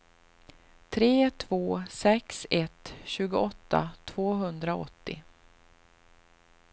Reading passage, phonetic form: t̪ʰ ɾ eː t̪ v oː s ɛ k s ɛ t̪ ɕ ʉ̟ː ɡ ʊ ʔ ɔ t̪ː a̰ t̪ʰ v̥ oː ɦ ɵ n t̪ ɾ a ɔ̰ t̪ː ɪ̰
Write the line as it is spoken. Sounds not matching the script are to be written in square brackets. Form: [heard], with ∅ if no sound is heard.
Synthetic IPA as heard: t̪ʰ ɾ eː [t̪ʰ] v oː s ɛ k s ɛ t̪ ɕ ʉ̟ː ɡ ʊ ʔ ɔ t̪ː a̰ t̪ʰ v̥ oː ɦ ɵ n [d̪] ɾ a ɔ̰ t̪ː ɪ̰